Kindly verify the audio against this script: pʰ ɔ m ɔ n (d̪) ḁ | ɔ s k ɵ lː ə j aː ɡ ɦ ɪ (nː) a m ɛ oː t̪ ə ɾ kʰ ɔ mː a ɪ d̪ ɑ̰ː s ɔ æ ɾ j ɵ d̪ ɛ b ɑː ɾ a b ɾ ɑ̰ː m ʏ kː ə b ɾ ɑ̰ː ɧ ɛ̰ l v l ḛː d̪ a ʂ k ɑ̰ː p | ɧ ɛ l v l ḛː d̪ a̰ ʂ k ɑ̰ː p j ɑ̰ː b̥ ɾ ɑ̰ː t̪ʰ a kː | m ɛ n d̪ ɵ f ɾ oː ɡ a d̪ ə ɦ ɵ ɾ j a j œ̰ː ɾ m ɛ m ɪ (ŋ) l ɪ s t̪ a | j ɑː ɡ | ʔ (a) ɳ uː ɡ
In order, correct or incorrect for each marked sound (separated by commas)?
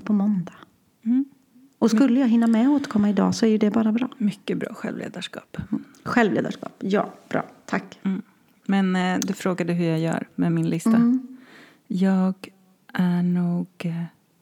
correct, correct, incorrect, incorrect